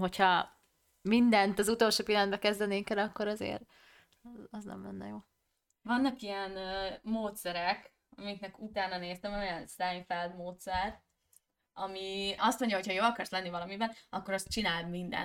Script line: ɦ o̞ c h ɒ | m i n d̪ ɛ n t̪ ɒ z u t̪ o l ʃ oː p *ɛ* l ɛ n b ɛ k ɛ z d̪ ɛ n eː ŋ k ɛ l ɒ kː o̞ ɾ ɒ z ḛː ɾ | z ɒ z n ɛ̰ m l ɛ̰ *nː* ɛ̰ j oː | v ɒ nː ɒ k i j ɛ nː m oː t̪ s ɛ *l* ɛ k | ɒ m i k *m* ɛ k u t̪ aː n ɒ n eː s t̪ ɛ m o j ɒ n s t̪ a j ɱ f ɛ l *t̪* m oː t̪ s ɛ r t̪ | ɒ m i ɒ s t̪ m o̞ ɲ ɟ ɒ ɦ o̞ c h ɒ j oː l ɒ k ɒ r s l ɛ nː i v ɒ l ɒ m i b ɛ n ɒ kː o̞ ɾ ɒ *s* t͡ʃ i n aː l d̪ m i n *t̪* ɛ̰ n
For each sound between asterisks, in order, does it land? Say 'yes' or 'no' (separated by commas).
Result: no, yes, no, no, no, yes, no